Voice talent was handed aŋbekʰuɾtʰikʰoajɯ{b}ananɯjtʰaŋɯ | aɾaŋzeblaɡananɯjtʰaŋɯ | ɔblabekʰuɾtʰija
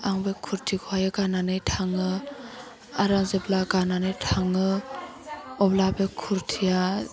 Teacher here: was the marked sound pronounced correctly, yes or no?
no